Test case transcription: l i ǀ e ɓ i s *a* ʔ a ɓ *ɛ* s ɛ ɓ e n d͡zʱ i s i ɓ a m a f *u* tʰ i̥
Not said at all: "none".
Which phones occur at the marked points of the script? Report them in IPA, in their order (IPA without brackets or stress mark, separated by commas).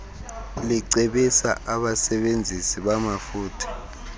a, a, uː